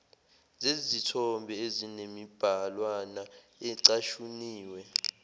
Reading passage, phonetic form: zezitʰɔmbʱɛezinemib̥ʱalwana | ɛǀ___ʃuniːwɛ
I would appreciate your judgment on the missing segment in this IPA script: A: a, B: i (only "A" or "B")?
A